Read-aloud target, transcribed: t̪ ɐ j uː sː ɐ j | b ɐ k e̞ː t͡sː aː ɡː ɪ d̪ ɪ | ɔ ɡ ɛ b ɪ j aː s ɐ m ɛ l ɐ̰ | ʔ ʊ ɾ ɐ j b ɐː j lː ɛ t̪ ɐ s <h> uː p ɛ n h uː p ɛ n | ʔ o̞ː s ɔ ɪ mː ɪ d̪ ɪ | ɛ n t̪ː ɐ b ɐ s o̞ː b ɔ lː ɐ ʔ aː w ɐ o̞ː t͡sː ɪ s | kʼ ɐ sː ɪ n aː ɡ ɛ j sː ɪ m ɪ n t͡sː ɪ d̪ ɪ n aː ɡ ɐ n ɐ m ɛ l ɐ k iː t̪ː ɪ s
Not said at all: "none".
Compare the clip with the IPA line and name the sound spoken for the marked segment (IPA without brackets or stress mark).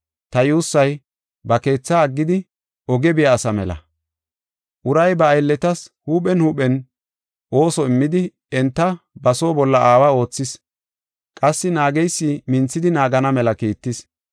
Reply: h